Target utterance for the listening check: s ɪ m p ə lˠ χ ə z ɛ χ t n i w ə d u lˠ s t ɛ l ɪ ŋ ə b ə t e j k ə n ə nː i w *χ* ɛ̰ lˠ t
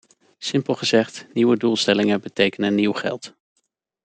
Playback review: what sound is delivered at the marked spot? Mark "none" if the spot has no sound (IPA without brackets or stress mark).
χ